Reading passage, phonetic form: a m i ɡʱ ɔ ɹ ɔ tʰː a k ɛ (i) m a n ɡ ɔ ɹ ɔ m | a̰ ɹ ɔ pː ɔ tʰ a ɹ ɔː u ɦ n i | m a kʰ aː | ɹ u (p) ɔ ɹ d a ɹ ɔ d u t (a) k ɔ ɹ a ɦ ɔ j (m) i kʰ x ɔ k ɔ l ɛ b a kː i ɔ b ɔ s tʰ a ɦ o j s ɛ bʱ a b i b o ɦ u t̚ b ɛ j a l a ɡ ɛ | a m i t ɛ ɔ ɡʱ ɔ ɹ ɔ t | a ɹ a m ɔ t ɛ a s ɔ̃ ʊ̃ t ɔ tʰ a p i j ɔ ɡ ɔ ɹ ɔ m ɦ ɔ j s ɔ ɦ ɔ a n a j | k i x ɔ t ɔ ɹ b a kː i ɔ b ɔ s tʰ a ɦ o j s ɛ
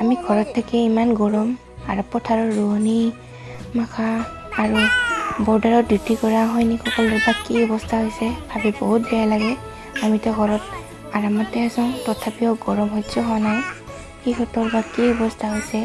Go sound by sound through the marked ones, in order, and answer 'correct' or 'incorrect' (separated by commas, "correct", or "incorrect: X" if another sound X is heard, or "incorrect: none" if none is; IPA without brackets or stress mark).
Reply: correct, incorrect: b, incorrect: i, incorrect: n